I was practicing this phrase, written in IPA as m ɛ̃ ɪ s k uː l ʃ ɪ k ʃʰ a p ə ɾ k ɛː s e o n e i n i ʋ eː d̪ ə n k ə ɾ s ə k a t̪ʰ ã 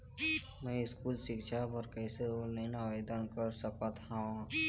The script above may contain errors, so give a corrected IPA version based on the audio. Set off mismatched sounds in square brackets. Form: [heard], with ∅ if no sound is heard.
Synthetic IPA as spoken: m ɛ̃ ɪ s k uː l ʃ ɪ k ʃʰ a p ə ɾ k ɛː s e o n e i n [a] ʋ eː d̪ ə n k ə ɾ s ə k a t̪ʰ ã